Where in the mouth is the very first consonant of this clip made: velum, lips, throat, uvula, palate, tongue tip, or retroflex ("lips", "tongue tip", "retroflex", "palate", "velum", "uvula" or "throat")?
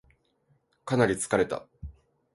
velum